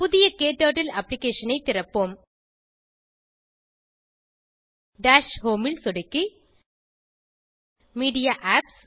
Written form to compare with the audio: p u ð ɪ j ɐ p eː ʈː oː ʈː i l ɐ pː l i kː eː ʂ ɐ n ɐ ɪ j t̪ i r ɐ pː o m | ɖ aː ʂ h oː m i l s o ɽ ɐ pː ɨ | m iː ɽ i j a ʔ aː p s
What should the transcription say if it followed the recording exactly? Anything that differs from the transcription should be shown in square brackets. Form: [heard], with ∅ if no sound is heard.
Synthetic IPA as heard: p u ð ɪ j ɐ [k] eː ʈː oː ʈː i l ɐ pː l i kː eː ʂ ɐ n ɐ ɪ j t̪ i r ɐ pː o m | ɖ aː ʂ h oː m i l s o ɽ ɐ [kː] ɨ | m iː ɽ i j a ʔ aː p s

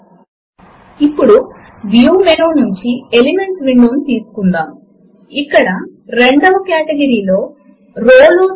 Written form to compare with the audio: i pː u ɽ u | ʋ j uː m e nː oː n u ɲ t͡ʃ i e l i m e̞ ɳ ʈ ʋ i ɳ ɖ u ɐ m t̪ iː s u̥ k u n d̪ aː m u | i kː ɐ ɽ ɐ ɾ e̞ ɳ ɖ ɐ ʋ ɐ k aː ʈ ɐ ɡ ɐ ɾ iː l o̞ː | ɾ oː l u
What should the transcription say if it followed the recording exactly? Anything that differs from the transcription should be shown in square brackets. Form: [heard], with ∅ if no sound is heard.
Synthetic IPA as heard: i pː u ɽ u | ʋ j uː m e [n] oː n u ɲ t͡ʃ i e l i m e̞ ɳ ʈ ʋ i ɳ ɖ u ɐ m t̪ iː s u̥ k u n d̪ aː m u | i kː ɐ ɽ ɐ ɾ e̞ ɳ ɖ ɐ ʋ ɐ k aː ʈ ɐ ɡ ɐ ɾ iː l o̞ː | ɾ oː l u

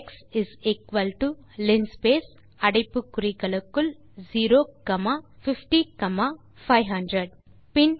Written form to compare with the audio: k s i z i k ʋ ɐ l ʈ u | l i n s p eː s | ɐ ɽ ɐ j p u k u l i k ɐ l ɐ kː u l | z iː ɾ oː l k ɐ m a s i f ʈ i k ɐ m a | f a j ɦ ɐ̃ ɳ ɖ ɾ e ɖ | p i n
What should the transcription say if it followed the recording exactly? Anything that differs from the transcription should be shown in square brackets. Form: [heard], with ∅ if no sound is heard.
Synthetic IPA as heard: k s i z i k ʋ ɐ l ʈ u | l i n s p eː s | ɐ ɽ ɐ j p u k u [ɾ] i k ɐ l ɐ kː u l | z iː ɾ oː [∅] k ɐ m a [f] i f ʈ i k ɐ m a | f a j ɦ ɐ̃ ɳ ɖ ɾ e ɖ | p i n

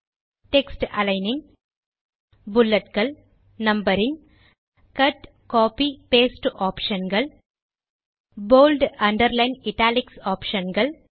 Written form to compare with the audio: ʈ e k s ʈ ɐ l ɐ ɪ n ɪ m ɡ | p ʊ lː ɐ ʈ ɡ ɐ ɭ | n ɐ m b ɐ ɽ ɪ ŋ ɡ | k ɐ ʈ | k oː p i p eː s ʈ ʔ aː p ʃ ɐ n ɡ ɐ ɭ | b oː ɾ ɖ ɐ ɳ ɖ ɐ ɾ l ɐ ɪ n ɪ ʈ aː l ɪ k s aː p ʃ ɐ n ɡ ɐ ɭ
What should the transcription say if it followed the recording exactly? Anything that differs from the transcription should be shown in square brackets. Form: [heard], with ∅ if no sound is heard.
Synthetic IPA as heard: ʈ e k s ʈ ɐ l ɐ ɪ n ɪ [ŋ] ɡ | [b] ʊ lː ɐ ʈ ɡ ɐ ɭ | n ɐ m b ɐ [ɾ] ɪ ŋ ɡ | k ɐ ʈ | k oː p i p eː s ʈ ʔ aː p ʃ ɐ n ɡ ɐ ɭ | b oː [l] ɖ ɐ ɳ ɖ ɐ ɾ l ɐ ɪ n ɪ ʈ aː l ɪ k s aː p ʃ ɐ n ɡ ɐ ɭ

